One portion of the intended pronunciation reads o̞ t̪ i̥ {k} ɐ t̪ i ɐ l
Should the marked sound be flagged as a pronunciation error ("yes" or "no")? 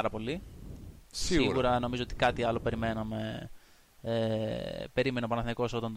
no